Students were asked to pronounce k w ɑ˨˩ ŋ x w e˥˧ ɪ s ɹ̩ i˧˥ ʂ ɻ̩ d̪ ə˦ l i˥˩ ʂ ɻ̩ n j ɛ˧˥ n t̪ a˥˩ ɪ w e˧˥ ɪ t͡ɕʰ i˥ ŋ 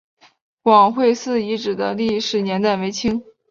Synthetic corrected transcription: k w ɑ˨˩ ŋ x w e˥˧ ɪ s ɹ̩ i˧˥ ʈ͡ʂ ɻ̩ d̪ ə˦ l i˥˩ ʂ ɻ̩ n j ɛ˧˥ n t̪ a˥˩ ɪ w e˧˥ ɪ t͡ɕʰ i˥ ŋ

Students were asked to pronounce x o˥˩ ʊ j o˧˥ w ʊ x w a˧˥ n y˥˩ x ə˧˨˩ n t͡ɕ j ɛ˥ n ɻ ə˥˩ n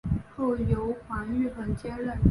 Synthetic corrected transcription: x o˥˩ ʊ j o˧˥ ʊ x w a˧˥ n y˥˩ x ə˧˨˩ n t͡ɕ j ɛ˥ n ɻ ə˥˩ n

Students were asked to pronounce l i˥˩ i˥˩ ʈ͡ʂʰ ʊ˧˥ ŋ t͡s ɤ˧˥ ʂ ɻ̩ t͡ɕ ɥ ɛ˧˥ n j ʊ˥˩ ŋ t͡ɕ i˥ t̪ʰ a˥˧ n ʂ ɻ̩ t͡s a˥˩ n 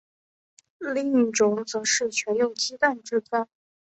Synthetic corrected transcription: l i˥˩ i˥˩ ʈ͡ʂ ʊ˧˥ ŋ t͡s ɤ˧˥ ʂ ɻ̩ t͡ɕʰ ɥ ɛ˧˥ n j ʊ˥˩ ŋ t͡ɕ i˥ t̪ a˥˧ n ʈ͡ʂ ɻ̩ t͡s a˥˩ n

